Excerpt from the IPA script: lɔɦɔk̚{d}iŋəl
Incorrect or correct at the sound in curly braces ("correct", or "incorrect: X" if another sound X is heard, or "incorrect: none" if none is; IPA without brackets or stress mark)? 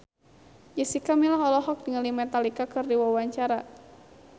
correct